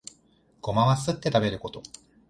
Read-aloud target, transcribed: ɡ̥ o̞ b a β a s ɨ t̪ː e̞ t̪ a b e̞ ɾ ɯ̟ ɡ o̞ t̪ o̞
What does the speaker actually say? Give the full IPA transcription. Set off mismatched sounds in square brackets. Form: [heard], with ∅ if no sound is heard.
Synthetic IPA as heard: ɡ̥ o̞ [m] a β a s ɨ t̪ː e̞ t̪ a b e̞ ɾ ɯ̟ [k] o̞ t̪ o̞